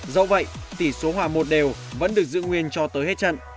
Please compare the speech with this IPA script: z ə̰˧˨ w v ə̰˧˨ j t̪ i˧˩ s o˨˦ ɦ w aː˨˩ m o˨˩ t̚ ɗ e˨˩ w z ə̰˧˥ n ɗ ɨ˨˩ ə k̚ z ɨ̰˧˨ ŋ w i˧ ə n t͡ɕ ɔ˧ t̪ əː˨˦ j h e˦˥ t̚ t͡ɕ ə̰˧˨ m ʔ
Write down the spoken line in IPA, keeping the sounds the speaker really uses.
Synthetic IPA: z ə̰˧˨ w v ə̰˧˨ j t̪ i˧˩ s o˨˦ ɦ w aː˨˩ m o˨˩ t̚ ɗ e˨˩ w v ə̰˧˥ n ɗ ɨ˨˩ ə k̚ z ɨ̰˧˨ ŋ w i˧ ə n t͡ɕ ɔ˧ t̪ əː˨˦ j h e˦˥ t̚ t͡ɕ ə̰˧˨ n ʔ

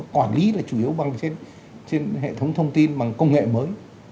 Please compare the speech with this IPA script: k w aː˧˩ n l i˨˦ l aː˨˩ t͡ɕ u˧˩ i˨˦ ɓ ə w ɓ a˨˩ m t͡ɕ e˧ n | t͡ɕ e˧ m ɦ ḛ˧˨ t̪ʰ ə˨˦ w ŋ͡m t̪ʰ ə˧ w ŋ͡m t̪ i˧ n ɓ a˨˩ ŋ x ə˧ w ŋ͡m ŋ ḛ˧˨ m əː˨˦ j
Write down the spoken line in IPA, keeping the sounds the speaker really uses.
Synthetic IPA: k w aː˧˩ n l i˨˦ l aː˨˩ t͡ɕ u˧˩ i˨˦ ə w ɓ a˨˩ ŋ t͡ɕ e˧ n | t͡ɕ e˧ n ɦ ḛ˧˨ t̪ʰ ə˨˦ w ŋ͡m t̪ʰ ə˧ w ŋ͡m t̪ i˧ n ɓ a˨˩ ŋ k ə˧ w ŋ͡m ŋ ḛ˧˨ m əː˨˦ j

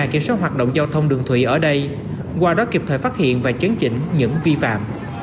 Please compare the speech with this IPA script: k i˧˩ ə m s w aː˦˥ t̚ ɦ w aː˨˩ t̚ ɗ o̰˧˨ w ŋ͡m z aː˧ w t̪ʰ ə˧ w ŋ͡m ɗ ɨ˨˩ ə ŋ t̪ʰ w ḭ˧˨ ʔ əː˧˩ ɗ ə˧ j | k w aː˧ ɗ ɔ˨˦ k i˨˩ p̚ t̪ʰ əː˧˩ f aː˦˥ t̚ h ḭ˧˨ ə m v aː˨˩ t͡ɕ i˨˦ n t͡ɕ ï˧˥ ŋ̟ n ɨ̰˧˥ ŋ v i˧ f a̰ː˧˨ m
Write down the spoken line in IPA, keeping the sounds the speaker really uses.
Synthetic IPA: k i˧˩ ə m s w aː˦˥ t̚ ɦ w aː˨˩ t̚ ɗ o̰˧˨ w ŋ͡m z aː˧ w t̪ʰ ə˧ w ŋ͡m ɗ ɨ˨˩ ə ŋ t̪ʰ w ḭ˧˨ ʔ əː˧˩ ɗ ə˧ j | k w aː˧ ɗ ɔ˨˦ k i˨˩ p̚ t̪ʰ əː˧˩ f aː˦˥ t̚ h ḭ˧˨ ə n v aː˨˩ t͡ɕ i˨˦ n t͡ɕ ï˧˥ ŋ̟ ɲ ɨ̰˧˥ ŋ v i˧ f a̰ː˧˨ m

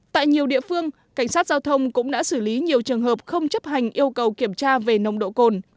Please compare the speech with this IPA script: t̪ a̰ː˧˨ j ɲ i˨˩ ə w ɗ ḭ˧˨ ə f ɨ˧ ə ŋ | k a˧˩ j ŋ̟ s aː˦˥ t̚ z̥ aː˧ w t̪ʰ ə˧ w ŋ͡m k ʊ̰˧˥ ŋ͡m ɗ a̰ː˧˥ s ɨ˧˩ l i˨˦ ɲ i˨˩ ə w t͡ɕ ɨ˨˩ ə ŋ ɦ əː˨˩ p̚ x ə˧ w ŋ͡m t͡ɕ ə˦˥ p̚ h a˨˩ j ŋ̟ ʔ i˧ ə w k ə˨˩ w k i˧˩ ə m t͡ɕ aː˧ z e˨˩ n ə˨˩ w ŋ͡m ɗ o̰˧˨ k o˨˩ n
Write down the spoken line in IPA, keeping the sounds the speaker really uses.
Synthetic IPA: t̪ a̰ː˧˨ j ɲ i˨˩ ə w ɗ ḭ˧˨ ə f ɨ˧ ə ŋ | k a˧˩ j ŋ̟ s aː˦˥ t̚ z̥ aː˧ w t̪ʰ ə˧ w ŋ͡m k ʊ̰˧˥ ŋ͡m ɗ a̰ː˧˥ s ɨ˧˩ l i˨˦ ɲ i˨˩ ə w t͡ɕ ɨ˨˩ ə ŋ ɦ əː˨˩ p̚ x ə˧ w ŋ͡m t͡ɕ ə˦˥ p̚ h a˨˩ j ŋ̟ ʔ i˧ ə w k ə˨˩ w k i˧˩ ə m t͡ɕ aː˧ v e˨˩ n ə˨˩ w ŋ͡m ɗ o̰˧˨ k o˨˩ n

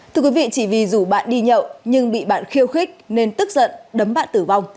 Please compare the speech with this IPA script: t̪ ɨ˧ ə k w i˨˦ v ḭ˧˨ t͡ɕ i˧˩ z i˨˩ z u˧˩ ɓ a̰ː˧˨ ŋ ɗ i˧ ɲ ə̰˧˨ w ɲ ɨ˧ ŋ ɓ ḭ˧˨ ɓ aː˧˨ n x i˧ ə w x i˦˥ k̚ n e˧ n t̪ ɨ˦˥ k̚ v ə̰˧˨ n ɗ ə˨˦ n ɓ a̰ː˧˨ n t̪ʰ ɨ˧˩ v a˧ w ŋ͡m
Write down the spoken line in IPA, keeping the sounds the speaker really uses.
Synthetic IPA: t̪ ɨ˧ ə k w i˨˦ v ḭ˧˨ t͡ɕ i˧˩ v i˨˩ z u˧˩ ɓ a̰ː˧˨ n ɗ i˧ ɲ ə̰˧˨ w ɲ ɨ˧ ŋ ɓ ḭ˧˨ ɓ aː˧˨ n x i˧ ə w x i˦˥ k̚ n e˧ n t̪ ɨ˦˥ k̚ z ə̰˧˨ n ɗ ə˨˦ m ɓ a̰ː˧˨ n t̪ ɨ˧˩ v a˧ w ŋ͡m

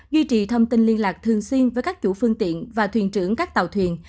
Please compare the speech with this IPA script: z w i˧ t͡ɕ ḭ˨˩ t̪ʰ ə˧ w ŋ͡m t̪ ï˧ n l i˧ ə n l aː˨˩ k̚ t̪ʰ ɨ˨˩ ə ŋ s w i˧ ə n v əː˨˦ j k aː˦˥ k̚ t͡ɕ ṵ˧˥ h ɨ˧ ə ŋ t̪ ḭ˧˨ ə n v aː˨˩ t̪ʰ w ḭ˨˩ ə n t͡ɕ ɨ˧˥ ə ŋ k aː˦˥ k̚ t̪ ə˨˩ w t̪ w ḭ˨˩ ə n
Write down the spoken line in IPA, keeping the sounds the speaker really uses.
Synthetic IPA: z w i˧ t͡ɕ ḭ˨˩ t̪ʰ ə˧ w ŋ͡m t̪ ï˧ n l i˧ ə n l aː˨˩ k̚ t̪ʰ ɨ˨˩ ə ŋ s w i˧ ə n v əː˨˦ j k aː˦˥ k̚ t͡ɕ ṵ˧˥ f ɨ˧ ə ŋ t̪ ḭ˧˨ ə n v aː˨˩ t̪ʰ w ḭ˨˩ ə n t͡ɕ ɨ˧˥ ə ŋ k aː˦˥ k̚ t̪ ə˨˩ w t̪ʰ w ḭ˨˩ ə n

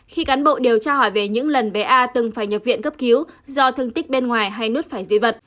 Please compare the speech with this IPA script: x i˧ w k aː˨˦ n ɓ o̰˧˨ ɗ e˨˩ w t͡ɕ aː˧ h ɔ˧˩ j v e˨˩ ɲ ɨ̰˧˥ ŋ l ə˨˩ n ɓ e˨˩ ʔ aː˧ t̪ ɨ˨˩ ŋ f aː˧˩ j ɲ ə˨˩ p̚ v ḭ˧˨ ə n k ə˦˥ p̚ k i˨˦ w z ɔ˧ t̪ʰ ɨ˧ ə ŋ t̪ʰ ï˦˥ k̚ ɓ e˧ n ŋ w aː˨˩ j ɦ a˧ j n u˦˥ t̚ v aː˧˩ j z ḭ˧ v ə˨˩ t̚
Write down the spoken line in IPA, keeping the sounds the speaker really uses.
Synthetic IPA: x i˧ k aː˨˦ n ɓ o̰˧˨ ɗ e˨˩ w t͡ɕ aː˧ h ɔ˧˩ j v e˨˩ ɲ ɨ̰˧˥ ŋ l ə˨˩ n ɓ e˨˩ ʔ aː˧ t̪ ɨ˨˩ ŋ f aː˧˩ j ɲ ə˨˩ p̚ v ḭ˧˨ ə n k ə˦˥ p̚ k i˨˦ w z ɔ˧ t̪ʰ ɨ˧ ə ŋ t̪ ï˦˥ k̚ ɓ e˧ n ŋ w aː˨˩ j ɦ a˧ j n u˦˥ t̚ f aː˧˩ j z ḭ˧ v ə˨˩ t̚

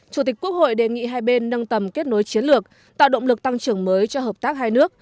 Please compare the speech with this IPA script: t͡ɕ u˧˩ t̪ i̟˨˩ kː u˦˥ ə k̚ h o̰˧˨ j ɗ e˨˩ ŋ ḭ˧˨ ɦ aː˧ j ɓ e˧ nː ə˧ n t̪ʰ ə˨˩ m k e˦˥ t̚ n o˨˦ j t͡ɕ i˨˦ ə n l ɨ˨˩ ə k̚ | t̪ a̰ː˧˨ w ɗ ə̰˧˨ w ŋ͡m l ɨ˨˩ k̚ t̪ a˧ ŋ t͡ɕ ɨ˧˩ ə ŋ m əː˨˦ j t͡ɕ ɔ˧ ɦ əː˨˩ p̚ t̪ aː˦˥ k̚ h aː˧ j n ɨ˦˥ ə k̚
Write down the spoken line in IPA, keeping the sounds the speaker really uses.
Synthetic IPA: t͡ɕ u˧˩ t̪ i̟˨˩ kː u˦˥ ə k̚ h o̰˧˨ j ɗ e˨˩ ŋ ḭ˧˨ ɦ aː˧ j ɓ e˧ nː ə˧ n t̪ ə˨˩ m k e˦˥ t̚ n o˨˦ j t͡ɕ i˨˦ ə n l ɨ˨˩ ə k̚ | t̪ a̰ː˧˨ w ɗ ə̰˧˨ w ŋ͡m l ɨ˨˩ k̚ t̪ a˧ ŋ t͡ɕ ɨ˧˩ ə ŋ m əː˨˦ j t͡ɕ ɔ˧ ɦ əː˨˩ p̚ t̪ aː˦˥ k̚ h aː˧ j n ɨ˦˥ ə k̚

